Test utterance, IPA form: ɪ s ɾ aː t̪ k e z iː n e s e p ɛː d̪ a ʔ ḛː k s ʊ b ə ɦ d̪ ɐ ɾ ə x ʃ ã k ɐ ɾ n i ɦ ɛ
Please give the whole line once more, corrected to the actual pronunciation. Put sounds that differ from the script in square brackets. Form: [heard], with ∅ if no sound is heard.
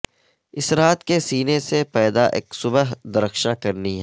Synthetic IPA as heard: ɪ s ɾ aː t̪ k e [s] iː n e s e p ɛː d̪ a ʔ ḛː k s ʊ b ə ɦ d̪ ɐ ɾ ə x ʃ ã k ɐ ɾ n i ɦ ɛ